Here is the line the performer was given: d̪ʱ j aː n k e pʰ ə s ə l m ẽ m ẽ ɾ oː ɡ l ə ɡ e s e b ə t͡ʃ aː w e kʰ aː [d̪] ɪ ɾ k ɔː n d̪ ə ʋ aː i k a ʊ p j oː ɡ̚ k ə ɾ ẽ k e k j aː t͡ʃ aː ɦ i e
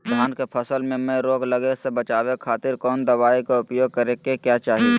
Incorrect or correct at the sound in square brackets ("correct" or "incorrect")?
incorrect